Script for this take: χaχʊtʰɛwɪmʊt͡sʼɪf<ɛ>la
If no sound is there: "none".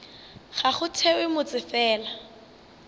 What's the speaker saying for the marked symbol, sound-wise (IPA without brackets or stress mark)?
ɛː